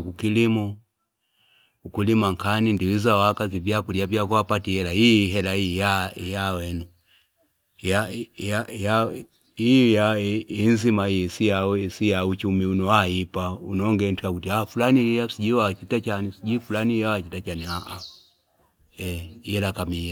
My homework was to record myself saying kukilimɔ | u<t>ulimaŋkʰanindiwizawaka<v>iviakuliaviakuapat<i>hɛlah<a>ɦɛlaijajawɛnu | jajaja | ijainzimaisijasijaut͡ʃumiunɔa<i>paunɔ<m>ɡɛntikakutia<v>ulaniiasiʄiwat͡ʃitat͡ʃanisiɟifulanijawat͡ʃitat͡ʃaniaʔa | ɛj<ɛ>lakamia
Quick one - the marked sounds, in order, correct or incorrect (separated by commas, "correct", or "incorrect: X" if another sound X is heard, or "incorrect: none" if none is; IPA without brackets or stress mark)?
incorrect: k, incorrect: z, correct, incorrect: i, correct, incorrect: ŋ, incorrect: f, correct